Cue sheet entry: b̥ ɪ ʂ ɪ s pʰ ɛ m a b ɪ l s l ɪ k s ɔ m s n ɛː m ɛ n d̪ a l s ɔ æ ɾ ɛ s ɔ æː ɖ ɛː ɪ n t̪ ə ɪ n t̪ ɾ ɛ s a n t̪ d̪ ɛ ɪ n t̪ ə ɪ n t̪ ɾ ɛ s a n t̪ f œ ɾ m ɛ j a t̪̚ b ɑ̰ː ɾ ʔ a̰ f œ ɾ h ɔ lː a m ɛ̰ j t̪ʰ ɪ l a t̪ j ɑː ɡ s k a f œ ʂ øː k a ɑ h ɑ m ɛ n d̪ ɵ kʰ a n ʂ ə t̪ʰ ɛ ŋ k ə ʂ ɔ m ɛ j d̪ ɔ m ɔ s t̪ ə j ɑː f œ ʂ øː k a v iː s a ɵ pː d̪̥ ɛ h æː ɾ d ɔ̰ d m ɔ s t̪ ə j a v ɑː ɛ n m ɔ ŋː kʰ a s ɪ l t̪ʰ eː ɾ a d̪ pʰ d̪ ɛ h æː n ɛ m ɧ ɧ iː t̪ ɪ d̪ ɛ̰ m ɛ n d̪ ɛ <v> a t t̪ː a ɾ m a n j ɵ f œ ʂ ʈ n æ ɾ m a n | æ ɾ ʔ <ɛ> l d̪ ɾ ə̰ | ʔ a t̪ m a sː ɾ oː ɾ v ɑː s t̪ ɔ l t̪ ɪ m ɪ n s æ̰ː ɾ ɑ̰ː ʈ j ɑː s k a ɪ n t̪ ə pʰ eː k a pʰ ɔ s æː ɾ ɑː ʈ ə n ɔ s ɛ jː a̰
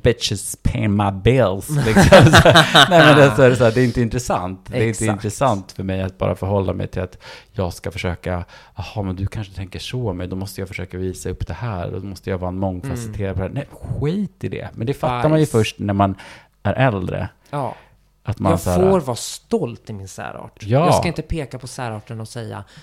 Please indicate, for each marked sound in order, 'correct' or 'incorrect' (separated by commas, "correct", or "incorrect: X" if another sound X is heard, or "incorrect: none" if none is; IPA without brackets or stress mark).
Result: incorrect: f, correct